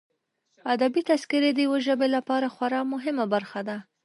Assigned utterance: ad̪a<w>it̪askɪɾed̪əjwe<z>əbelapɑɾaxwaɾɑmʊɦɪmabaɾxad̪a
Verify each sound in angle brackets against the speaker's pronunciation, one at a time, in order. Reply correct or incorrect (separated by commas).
incorrect, incorrect